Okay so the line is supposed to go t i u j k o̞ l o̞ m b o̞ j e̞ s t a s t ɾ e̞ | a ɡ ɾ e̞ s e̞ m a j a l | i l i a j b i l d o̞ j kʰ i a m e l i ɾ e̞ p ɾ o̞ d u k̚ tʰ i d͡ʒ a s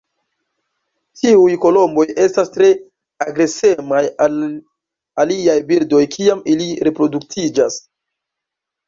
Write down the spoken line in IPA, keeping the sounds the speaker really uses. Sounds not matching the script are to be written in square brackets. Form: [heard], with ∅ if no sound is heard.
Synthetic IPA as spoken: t i u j k o̞ l o̞ m b o̞ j e̞ s t a s t ɾ e̞ | a ɡ ɾ e̞ s e̞ m a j a l | [a] l i a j b i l d o̞ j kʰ i a m [i] l i ɾ e̞ p ɾ o̞ d u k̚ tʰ i d͡ʒ a s